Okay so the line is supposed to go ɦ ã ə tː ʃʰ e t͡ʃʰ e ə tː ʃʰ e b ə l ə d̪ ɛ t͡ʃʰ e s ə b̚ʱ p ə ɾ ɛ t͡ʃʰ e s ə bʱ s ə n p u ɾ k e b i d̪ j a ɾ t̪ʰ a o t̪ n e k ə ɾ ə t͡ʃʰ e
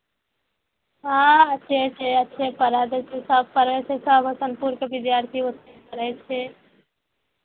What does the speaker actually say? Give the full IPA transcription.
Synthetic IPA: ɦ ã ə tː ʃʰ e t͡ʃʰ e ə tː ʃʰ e p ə ɾ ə d̪ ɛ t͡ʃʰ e s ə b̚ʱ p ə ɾ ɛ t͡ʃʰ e s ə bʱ s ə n p u ɾ k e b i d̪ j a ɾ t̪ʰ i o t̪ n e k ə ɾ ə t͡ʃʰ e